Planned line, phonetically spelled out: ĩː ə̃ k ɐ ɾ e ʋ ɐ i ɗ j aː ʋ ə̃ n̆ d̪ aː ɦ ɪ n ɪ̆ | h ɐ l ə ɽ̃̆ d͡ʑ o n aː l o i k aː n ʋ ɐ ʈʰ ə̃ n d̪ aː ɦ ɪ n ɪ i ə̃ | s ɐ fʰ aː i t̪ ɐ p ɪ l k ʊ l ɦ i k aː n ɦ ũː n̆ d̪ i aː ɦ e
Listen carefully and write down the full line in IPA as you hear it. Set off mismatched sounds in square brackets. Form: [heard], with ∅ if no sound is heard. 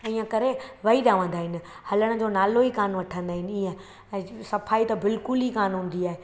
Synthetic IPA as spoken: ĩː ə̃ k ɐ ɾ e ʋ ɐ i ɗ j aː ʋ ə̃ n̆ d̪ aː ɦ ɪ n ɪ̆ | h ɐ l ə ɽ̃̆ d͡ʑ o n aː l o i k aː n ʋ ɐ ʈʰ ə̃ n d̪ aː ɦ ɪ n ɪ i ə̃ | s ɐ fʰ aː i t̪ ɐ [b] ɪ l k ʊ l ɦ i k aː n ɦ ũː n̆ d̪ i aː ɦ e